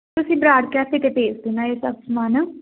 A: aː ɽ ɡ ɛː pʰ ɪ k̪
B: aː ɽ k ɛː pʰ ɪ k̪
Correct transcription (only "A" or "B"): B